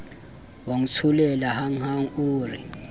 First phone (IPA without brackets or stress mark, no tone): w